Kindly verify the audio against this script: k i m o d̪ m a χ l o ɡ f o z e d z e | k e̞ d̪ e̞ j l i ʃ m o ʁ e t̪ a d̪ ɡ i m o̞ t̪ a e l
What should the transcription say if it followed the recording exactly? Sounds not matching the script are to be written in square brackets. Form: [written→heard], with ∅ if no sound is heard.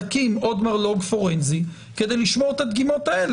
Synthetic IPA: k i m o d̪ m a [χ→ʁ] l o ɡ f o [z→ʁ] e [d→n] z [e→i] | k e̞ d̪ e̞ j l i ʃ m o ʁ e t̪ a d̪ ɡ i m o̞ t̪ a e l